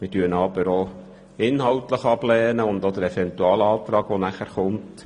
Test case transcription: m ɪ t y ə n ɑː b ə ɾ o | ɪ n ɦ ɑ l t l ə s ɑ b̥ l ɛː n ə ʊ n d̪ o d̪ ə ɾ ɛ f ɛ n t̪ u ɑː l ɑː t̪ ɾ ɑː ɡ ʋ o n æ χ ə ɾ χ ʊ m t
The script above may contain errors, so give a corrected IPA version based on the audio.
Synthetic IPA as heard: m ɪ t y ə n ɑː b ə ɾ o | ɪ n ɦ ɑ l t l ə χ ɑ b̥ l ɛː n ə ʊ n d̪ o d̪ ə ɾ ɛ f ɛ n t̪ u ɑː l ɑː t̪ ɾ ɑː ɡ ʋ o n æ χ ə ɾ χ ʊ m t